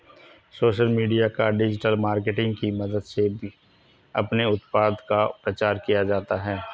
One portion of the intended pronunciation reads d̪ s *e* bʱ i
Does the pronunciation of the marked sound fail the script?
no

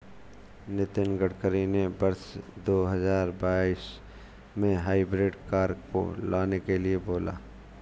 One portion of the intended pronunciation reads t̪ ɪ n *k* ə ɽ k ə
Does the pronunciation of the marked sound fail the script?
yes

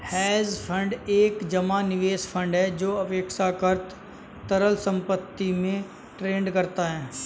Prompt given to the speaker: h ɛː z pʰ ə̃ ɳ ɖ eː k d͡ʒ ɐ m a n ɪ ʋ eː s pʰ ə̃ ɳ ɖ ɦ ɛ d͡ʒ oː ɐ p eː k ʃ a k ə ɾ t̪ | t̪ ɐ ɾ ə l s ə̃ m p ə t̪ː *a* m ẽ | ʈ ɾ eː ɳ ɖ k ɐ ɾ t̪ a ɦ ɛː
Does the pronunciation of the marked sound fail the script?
yes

